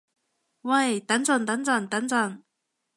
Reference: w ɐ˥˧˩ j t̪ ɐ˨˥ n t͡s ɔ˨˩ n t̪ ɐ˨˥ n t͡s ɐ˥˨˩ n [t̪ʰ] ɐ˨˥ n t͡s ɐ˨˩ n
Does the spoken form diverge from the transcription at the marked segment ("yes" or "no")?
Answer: yes